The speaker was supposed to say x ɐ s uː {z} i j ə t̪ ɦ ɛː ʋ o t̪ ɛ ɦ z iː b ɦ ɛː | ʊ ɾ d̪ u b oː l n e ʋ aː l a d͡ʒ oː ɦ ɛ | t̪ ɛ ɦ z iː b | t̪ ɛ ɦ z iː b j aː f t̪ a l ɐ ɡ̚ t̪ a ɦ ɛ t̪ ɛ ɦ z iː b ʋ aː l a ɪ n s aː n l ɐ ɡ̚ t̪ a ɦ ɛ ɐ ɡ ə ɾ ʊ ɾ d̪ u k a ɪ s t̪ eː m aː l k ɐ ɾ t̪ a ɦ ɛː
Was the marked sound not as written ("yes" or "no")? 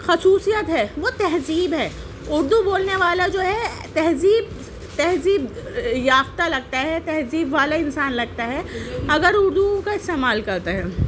yes